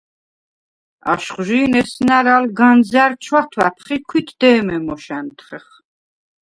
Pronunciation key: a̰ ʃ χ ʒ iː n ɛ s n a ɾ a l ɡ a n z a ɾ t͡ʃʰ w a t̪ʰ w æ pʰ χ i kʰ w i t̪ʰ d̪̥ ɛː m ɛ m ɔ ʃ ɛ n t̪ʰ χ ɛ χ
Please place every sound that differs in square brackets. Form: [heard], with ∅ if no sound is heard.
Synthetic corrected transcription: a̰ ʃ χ ʒ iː n ɛ s n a ɾ a l ɡ a n z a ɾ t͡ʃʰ w a t̪ʰ w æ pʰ χ i kʰ w i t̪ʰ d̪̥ ɛː m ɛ m ɔ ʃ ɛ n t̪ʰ χ ɛ χ